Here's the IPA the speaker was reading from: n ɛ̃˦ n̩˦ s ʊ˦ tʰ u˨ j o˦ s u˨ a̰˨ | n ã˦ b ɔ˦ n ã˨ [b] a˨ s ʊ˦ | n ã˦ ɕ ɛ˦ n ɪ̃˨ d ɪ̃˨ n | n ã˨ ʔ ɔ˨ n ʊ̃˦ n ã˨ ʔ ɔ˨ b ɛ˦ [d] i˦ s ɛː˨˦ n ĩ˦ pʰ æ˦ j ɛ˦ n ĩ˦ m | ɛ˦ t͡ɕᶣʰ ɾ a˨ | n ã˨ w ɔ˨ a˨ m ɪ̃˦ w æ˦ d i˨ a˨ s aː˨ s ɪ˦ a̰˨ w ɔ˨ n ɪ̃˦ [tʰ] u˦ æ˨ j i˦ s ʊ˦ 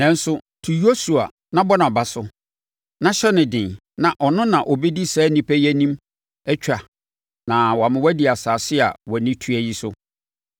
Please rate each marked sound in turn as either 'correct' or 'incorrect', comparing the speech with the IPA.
correct, correct, correct

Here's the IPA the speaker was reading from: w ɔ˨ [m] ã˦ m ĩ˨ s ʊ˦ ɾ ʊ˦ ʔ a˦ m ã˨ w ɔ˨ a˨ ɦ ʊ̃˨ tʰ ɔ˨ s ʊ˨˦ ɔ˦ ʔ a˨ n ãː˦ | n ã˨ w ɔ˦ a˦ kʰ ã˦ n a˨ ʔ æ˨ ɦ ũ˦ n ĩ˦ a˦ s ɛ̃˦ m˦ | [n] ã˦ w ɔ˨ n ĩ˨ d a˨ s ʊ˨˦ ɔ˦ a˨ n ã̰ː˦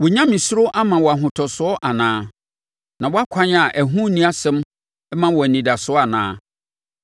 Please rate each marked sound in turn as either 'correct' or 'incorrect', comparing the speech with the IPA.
incorrect: ɲ, incorrect: m

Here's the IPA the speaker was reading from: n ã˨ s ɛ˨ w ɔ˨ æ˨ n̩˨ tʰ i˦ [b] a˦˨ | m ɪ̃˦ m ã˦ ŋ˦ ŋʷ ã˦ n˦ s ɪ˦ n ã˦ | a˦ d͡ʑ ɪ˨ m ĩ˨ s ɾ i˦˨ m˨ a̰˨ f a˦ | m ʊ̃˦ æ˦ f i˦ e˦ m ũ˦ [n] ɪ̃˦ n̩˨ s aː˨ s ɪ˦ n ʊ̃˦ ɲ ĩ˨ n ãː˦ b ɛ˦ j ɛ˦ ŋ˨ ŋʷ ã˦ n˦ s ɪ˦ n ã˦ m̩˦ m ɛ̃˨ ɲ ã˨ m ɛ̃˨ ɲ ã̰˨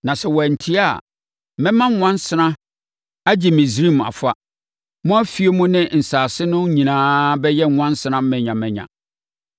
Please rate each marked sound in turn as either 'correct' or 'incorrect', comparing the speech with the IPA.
incorrect: none, correct

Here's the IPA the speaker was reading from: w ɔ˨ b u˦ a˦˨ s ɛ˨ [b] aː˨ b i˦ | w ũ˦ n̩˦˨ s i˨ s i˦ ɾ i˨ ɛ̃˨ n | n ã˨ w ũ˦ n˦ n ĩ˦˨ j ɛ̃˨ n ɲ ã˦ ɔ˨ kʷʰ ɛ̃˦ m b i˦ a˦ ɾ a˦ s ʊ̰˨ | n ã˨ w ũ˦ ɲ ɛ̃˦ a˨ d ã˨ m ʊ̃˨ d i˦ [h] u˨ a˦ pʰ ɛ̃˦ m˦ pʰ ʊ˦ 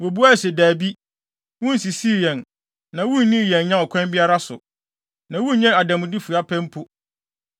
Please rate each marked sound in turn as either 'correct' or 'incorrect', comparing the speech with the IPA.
incorrect: d, incorrect: f

